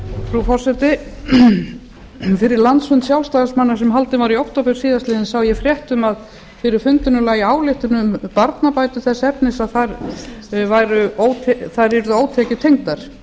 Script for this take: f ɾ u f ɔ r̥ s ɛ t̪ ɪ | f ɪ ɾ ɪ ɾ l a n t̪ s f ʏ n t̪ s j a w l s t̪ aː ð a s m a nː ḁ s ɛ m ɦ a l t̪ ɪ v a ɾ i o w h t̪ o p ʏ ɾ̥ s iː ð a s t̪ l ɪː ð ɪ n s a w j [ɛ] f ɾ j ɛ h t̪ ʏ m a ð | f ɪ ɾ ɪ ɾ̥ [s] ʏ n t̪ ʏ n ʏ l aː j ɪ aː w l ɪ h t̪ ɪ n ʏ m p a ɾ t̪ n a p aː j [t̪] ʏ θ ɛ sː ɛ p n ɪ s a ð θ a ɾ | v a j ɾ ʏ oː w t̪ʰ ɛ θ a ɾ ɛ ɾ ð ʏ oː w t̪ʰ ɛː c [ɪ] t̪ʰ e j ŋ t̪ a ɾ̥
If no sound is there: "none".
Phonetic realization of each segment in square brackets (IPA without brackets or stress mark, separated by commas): ɛ, f, t̪, ɪ